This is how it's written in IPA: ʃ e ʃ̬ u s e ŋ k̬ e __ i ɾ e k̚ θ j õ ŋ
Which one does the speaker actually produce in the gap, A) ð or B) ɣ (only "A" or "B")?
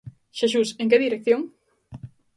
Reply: A